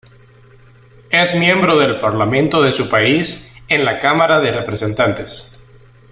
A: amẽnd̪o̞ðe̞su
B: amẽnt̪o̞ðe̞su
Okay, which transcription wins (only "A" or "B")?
B